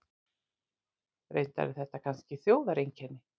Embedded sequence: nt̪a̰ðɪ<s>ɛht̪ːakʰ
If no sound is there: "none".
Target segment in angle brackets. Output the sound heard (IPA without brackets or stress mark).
θ